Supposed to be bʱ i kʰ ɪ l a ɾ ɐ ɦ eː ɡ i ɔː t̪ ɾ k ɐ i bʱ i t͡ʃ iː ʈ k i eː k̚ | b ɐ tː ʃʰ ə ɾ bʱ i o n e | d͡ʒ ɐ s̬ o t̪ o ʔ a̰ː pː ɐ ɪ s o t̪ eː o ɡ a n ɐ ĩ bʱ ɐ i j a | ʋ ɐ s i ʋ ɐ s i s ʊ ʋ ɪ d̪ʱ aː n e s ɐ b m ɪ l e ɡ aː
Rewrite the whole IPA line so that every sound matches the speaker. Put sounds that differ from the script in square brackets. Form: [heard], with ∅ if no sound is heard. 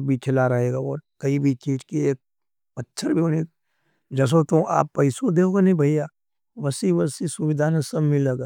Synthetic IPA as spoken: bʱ i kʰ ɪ l a ɾ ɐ ɦ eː ɡ [a] ɔː [∅] ɾ k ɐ i bʱ i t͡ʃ iː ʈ k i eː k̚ | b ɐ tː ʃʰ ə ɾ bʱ i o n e | d͡ʒ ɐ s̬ o t̪ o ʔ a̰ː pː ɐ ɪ s o [d̪] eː o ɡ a n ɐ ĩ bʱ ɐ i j a | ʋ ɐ s i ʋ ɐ s i s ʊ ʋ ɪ d̪ʱ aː n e s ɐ b m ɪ l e ɡ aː

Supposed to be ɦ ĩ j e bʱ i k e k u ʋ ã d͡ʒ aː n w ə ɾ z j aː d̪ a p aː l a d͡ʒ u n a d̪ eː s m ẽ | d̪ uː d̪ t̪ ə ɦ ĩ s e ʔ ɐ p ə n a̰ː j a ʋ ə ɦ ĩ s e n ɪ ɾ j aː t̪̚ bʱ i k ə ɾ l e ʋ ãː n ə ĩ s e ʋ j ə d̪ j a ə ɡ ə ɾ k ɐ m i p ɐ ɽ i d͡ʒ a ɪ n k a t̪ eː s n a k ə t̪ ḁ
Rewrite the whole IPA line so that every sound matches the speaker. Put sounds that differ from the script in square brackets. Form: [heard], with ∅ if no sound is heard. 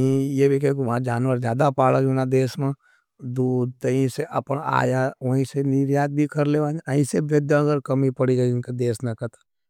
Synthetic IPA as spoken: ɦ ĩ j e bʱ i k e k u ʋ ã d͡ʒ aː n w ə ɾ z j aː d̪ a p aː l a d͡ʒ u n a d̪ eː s m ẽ | d̪ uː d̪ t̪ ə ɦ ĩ s e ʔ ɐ p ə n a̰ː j a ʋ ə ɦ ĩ s e n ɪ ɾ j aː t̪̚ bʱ i k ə ɾ l e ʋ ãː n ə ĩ s e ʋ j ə d̪ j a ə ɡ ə ɾ k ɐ m i p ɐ ɽ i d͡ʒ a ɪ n k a [d̪] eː s n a k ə t̪ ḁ

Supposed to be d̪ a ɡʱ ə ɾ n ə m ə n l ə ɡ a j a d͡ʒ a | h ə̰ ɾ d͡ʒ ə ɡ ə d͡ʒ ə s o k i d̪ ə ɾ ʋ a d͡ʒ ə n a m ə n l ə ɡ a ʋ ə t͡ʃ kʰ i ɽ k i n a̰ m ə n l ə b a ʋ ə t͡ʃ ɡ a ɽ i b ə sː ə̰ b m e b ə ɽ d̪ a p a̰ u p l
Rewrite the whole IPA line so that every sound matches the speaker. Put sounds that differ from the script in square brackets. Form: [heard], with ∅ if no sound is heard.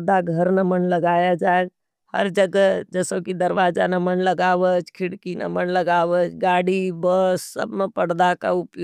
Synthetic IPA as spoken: d̪ a ɡʱ ə ɾ n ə m ə n l ə ɡ a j a d͡ʒ a | h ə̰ ɾ d͡ʒ ə ɡ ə d͡ʒ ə s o k i d̪ ə ɾ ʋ a d͡ʒ [a] n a m ə n l ə ɡ a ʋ ə t͡ʃ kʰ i ɽ k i n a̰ m ə n l ə [ɡ] a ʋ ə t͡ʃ ɡ a ɽ i b ə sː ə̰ b m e [p] ə ɽ d̪ a [k] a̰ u p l

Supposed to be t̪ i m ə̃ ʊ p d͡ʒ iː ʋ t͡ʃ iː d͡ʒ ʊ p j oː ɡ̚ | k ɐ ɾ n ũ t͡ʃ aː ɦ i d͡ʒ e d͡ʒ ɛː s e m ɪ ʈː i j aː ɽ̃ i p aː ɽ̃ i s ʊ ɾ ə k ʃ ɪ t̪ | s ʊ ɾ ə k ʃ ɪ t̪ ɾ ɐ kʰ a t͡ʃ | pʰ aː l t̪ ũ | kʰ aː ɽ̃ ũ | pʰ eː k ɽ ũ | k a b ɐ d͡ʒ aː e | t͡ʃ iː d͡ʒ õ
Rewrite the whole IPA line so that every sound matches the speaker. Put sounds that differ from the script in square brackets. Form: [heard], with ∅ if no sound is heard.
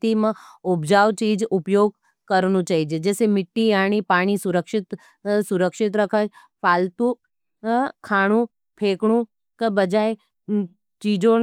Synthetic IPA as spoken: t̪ i m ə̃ ʊ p d͡ʒ [aː] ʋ t͡ʃ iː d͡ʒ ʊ p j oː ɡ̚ | k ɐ ɾ n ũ t͡ʃ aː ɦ i d͡ʒ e d͡ʒ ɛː s e m ɪ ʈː i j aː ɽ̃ i p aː ɽ̃ i s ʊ ɾ ə k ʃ ɪ t̪ | s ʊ ɾ ə k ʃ ɪ t̪ ɾ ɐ kʰ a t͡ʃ | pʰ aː l t̪ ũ | kʰ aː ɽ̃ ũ | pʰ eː k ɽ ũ | k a b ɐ d͡ʒ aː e | t͡ʃ iː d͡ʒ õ

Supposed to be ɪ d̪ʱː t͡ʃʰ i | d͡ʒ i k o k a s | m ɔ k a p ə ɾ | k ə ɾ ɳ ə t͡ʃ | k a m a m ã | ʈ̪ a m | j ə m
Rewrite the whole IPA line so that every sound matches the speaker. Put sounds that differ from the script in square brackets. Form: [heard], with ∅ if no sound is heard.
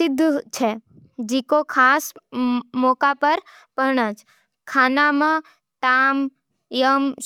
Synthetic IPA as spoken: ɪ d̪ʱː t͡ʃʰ [e] | d͡ʒ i k o [kʰ] a s | m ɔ k a p ə ɾ | [p] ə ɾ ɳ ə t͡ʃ | [kʰ] a [n] a m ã | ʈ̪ a m | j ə m

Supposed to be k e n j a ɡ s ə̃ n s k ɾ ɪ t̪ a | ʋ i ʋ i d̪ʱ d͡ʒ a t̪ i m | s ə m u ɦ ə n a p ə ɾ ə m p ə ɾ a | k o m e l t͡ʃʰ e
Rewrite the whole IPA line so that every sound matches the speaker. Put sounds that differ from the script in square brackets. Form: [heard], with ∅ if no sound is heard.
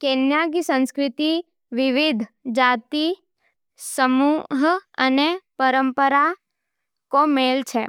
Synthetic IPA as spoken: k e n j a ɡ s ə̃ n s k ɾ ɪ t̪ [i] | ʋ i ʋ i d̪ʱ d͡ʒ a t̪ i [∅] | s ə m u ɦ ə n [e] p ə ɾ ə m p ə ɾ a | k o m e l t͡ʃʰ e

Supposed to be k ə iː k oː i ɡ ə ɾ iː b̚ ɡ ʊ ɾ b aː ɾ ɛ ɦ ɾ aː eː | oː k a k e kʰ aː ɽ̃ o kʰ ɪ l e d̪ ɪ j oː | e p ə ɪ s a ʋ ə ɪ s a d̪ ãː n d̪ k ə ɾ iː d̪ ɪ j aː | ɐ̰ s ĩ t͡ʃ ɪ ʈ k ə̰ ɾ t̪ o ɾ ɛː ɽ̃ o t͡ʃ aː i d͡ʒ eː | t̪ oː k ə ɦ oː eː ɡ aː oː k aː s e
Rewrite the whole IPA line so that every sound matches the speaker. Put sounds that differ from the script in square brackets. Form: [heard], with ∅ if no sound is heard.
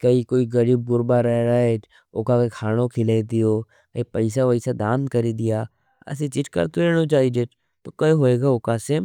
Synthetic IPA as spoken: k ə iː k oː i ɡ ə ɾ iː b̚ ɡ ʊ ɾ b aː ɾ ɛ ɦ ɾ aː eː | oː k a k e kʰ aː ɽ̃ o kʰ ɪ l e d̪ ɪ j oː | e p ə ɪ s a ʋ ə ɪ s a d̪ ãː n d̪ k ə ɾ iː d̪ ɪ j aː | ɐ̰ s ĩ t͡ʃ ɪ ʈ k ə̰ ɾ t̪ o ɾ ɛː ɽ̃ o t͡ʃ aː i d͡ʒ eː | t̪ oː k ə ɦ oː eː ɡ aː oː k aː s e

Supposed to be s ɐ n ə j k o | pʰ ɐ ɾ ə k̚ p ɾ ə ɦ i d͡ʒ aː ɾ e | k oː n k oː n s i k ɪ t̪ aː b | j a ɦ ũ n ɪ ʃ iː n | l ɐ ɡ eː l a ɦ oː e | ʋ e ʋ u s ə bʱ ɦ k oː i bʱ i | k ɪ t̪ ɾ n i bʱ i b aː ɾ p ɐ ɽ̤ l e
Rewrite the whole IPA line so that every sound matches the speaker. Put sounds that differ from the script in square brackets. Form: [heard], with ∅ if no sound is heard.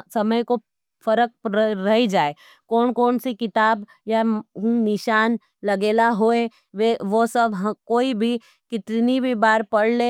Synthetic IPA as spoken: s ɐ [m] ə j k o | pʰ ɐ ɾ ə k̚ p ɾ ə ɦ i d͡ʒ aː [∅] e | k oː n k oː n s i k ɪ t̪ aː b | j a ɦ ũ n ɪ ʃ [aː] n | l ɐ ɡ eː l a ɦ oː e | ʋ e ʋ [o] s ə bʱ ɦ k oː i bʱ i | k ɪ t̪ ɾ n i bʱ i b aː ɾ p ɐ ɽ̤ l e

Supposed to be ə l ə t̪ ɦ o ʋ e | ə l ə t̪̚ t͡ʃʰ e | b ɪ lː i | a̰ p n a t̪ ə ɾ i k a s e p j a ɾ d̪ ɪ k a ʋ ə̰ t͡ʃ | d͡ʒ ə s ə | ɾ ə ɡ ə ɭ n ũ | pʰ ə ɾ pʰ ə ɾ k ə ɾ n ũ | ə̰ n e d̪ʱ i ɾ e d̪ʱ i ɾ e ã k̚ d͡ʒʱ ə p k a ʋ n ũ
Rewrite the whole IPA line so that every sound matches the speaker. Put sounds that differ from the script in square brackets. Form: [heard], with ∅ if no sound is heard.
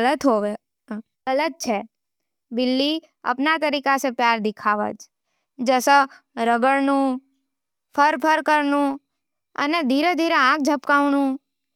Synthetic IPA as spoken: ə l ə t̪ ɦ o ʋ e | ə l ə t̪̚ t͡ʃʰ e | b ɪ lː i | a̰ p n a t̪ ə ɾ i k a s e p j a ɾ d̪ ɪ [kʰ] a ʋ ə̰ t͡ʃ | d͡ʒ ə s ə | ɾ ə ɡ ə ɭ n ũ | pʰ ə ɾ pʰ ə ɾ k ə ɾ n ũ | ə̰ n e d̪ʱ i ɾ e d̪ʱ i ɾ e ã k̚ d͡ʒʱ ə p k a ʋ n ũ

